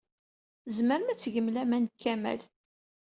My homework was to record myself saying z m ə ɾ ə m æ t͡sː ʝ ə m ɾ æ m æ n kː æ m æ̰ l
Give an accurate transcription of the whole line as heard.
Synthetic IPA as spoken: z m ə ɾ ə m æ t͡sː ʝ ə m l æ m æ n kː æ m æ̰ l